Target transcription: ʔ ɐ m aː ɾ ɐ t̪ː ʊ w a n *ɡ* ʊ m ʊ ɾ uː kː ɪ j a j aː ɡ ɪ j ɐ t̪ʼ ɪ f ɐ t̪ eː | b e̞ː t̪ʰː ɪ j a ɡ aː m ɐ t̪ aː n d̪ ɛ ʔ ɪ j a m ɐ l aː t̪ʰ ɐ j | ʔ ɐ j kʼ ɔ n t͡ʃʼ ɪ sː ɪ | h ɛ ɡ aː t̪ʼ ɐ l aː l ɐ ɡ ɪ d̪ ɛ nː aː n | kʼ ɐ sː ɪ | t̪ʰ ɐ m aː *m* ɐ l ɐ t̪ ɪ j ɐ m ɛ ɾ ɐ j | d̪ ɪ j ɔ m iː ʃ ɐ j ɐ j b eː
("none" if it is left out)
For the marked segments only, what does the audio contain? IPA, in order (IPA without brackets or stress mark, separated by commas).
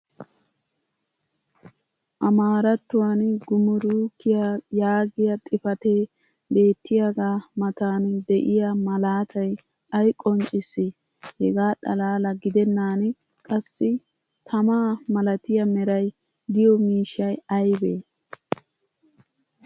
ɡ, m